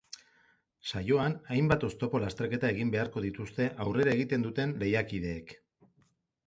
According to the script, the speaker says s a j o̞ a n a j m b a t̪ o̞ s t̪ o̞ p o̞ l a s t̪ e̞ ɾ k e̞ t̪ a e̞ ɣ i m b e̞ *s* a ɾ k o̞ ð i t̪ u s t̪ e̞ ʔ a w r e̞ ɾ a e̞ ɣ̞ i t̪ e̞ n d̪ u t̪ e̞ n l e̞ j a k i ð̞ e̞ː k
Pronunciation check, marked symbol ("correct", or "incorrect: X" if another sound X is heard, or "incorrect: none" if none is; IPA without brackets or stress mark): incorrect: none